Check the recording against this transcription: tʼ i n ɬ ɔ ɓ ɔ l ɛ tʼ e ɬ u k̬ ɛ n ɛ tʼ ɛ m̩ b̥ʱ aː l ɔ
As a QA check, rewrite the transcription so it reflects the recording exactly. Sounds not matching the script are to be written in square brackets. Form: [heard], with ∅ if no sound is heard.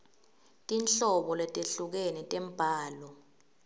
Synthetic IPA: tʼ i n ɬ ɔ ɓ ɔ l ɛ tʼ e ɬ u k̬ ɛ n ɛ tʼ ɛ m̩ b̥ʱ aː l ɔ